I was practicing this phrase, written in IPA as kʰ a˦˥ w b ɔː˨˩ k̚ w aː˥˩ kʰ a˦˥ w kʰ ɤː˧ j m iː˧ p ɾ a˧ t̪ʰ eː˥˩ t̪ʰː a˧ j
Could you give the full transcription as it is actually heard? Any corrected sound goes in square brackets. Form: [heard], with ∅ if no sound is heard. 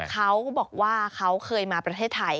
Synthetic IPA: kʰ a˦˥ w b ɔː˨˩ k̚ w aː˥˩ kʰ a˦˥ w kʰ ɤː˧ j m [aː˧] p ɾ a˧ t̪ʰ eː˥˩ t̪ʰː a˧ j